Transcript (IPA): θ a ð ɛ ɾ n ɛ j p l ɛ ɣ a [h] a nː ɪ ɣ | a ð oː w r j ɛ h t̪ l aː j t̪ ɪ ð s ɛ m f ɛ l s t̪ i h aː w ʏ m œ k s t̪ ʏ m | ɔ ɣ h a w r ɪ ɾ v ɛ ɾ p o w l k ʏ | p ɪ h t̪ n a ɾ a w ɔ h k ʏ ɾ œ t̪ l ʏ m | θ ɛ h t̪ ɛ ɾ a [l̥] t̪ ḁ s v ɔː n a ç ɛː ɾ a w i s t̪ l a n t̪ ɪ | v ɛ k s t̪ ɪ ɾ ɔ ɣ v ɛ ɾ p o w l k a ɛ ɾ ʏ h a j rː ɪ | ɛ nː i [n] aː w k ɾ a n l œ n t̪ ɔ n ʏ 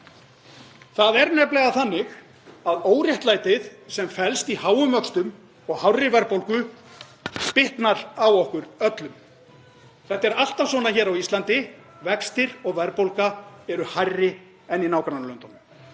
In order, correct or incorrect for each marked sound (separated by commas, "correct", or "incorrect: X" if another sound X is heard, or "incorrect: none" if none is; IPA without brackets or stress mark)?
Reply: incorrect: θ, correct, correct